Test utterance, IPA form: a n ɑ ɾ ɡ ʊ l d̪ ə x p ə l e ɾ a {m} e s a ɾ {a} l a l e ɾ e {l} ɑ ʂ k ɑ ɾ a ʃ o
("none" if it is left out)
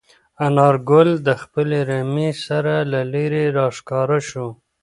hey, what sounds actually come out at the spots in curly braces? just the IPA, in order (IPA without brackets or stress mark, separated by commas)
m, a, ɾ